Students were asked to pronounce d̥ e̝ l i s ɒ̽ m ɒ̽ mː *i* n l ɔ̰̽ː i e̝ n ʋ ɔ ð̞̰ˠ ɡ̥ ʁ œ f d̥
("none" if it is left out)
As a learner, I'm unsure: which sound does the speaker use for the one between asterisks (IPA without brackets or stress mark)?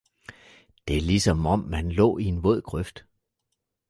æ